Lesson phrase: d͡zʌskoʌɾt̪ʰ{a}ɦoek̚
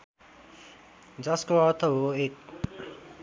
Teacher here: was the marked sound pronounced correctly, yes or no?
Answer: no